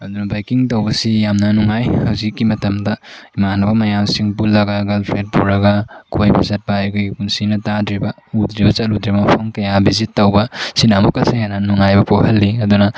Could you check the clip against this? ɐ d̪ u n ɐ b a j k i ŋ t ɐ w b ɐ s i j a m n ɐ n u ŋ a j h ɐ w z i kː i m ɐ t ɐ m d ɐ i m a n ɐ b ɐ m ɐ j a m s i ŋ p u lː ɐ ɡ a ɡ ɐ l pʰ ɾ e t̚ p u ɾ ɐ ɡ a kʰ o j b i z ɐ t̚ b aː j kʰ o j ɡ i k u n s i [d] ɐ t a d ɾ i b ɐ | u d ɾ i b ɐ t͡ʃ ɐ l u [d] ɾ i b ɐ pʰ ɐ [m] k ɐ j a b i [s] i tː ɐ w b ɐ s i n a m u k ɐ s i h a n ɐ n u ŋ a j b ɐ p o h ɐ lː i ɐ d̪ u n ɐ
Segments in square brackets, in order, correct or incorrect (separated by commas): incorrect, correct, incorrect, incorrect